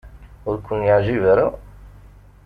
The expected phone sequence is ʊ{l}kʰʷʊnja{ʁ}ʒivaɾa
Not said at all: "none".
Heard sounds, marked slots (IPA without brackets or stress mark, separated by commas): ɾ, ʕ